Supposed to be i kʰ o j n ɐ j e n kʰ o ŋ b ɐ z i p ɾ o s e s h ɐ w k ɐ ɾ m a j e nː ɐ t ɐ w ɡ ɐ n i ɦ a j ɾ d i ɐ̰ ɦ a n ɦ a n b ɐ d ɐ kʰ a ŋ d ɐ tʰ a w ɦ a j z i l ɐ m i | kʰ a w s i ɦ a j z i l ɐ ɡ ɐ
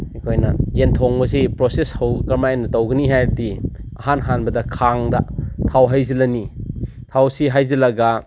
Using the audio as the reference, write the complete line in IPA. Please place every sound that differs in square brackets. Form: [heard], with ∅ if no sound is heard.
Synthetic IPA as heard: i kʰ o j n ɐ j e n [tʰ] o ŋ b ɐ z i p ɾ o s e s h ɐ w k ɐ ɾ m a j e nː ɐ t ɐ w ɡ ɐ n i ɦ a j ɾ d i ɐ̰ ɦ a n ɦ a n b ɐ d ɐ kʰ a ŋ d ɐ tʰ a w ɦ a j z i l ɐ [n] i | [tʰ] a w s i ɦ a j z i l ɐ ɡ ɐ